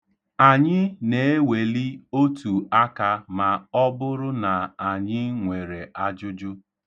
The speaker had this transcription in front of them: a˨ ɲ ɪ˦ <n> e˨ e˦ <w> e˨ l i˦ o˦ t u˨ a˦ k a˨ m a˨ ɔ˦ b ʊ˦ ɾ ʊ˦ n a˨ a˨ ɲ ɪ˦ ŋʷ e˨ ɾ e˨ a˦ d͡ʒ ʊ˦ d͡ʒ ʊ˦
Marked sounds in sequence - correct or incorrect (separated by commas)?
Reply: correct, correct